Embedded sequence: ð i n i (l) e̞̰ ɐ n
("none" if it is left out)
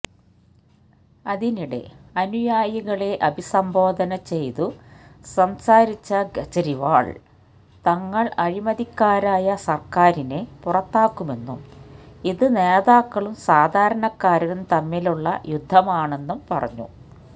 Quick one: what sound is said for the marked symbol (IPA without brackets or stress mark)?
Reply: ɽ